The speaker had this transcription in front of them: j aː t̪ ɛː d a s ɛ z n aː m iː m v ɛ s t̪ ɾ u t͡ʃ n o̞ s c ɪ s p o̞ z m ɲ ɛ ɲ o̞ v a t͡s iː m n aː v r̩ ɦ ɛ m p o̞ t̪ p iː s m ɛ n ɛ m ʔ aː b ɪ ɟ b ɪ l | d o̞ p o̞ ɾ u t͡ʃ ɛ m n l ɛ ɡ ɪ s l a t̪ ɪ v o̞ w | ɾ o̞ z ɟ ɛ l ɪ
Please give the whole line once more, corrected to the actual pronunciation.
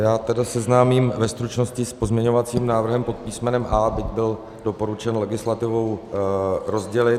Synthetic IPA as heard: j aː t̪ ɛ d a s ɛ z n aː m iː m v ɛ s t̪ ɾ u t͡ʃ n o̞ s c ɪ s p o̞ z m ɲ ɛ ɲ o̞ v a t͡s iː m n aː v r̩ ɦ ɛ m p o̞ t̪ p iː s m ɛ n ɛ m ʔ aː b ɪ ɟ b ɪ l | d o̞ p o̞ ɾ u t͡ʃ ɛ n l ɛ ɡ ɪ s l a t̪ ɪ v o̞ w | ɾ o̞ z ɟ ɛ l ɪ